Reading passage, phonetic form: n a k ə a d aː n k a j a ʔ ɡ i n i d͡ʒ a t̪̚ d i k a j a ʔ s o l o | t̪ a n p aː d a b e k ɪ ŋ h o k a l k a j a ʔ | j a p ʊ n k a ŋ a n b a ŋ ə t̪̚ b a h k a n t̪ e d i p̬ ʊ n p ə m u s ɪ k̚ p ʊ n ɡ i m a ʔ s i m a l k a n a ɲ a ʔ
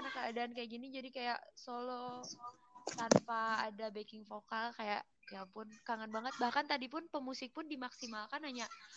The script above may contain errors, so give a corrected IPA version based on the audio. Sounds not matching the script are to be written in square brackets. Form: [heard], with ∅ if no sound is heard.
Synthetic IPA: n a k ə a d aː n k a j a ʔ ɡ i n i d͡ʒ a [∅] d i k a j a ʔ s o l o | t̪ a n p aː d a b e k ɪ ŋ [f] o k a l k a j a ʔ | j a p ʊ n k a ŋ a n b a ŋ ə t̪̚ b a h k a n t̪ [a] d i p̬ ʊ n p ə m u s ɪ k̚ p ʊ n [d] i m a [k] s i m a l k a n a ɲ a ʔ